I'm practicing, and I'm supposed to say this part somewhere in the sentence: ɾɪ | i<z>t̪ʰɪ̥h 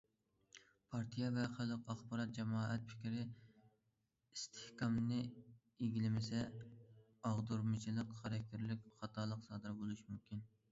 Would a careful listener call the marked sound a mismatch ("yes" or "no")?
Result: yes